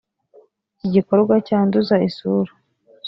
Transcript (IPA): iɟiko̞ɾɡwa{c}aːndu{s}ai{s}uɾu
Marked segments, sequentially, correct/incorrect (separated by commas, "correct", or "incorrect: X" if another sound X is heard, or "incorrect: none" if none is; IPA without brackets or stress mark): correct, incorrect: z, correct